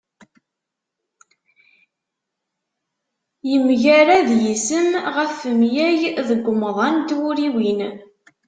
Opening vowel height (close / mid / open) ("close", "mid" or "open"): mid